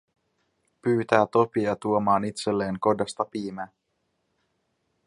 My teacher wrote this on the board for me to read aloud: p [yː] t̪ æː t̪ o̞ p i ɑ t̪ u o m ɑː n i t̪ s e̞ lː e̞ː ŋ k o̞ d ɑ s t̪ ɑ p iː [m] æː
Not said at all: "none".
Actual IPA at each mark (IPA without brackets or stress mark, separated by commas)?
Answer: yː, m